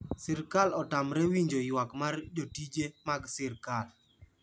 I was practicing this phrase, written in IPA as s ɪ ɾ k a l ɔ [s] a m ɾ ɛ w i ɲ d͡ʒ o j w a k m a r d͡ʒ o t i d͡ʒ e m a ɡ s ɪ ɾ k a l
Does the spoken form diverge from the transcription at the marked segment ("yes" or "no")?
yes